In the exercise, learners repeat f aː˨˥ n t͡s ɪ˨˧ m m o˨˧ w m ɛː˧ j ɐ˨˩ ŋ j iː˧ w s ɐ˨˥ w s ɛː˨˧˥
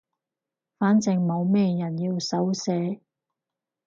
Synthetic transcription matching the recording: f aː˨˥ n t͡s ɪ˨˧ ŋ m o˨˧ w m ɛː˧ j ɐ˨˩ n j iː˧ w s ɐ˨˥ w s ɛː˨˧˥

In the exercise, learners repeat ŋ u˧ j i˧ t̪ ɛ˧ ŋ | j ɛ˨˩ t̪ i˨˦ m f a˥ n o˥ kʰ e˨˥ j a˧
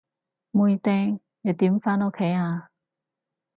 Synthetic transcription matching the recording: m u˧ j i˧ t̪ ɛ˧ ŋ | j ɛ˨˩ t̪ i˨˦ m f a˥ n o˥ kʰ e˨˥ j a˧

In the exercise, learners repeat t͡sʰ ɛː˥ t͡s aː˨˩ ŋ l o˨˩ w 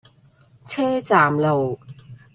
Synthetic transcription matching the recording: t͡sʰ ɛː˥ t͡s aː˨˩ m l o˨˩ w

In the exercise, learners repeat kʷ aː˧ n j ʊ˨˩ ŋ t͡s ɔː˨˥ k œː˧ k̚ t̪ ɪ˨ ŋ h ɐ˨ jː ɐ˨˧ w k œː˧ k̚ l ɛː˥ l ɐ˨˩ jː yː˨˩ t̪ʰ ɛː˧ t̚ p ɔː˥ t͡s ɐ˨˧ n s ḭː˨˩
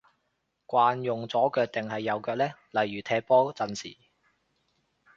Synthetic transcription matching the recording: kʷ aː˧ n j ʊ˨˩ ŋ t͡s ɔː˨˥ k œː˧ k̚ t̪ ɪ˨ ŋ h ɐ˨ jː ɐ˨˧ w k œː˧ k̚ l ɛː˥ l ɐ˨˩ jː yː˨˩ t̪ʰ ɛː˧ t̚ p ɔː˥ t͡s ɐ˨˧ n s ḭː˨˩

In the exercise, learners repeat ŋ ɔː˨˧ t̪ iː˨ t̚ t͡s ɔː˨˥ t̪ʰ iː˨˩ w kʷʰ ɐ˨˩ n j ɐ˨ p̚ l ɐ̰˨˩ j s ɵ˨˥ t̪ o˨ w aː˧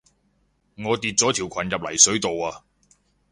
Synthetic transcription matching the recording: ŋ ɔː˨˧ t̪ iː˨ t̚ t͡s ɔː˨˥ t̪ʰ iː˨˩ w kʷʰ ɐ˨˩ n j ɐ˨ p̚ l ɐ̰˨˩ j s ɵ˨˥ t̪ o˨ w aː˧

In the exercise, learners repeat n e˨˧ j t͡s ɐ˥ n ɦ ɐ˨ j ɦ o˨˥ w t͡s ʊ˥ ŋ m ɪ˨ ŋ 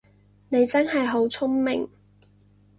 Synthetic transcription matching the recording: n e˨˧ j t͡s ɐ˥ n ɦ ɐ˨ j ɦ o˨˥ w t͡sʰ ʊ˥ ŋ m ɪ˨ ŋ

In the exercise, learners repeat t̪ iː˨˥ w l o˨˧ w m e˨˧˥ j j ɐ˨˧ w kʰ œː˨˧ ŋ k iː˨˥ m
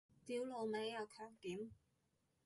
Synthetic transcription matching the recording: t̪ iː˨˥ w l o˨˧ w m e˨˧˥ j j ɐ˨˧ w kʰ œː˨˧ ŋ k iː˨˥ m

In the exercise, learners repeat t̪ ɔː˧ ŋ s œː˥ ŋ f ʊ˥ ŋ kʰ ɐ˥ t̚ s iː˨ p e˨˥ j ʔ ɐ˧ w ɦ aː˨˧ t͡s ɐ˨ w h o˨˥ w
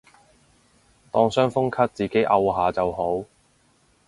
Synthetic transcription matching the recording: t̪ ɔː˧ ŋ s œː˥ ŋ f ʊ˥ ŋ kʰ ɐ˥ t̚ t͡s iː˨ k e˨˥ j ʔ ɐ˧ w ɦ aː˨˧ t͡s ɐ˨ w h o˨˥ w

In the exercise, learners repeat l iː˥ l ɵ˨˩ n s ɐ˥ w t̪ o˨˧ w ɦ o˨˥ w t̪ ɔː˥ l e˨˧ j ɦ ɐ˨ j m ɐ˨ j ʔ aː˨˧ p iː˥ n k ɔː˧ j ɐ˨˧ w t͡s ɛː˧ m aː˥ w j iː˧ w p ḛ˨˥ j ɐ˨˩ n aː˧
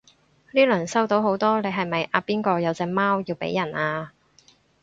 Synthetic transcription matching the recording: l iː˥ l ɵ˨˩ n s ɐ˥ w t̪ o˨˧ w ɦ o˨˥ w t̪ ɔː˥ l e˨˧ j ɦ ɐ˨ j m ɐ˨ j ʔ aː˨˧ p iː˥ n k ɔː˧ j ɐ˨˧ w t͡s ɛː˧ m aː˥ w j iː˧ w p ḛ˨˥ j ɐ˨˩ n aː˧

